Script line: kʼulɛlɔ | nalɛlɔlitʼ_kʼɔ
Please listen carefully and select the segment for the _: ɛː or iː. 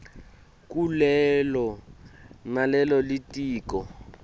iː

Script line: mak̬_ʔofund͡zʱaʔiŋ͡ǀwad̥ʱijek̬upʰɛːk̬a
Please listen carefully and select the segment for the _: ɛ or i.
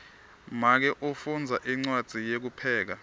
ɛ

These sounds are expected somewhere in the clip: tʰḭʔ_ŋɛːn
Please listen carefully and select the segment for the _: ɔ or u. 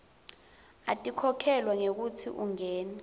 u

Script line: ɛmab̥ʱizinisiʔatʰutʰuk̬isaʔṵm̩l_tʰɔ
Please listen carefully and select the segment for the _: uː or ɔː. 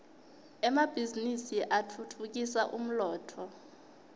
ɔː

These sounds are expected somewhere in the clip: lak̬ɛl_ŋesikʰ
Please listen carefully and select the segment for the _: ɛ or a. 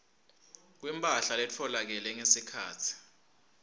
ɛ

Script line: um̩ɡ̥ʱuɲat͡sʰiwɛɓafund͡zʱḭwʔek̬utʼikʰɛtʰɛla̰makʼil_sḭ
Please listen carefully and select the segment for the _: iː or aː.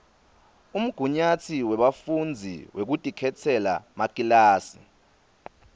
aː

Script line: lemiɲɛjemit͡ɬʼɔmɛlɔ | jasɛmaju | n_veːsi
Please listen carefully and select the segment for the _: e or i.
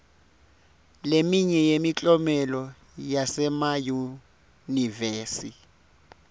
i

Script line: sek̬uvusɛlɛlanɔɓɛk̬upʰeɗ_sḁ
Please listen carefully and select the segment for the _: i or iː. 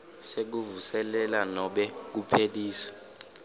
iː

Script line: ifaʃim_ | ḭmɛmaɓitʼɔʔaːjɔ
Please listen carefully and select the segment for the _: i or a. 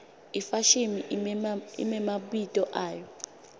i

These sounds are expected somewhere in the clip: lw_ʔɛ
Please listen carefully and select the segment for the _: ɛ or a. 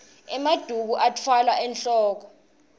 a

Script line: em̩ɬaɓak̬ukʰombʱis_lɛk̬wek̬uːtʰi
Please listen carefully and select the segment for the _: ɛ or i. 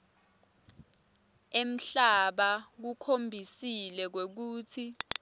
i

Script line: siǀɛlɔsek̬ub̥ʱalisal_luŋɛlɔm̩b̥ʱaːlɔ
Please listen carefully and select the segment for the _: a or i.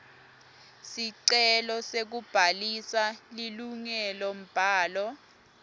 i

